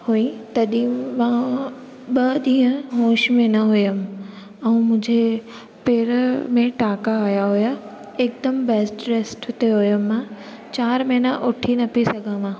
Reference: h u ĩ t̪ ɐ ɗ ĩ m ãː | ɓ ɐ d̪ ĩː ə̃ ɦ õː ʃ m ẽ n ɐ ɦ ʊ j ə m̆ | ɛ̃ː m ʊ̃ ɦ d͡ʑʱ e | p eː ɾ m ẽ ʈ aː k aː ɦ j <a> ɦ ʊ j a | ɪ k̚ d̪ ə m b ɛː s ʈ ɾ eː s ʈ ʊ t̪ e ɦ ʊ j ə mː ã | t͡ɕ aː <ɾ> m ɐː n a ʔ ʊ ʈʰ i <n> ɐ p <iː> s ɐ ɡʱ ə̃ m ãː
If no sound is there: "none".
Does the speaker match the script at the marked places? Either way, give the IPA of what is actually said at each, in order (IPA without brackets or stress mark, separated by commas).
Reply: a, ɾ, n, i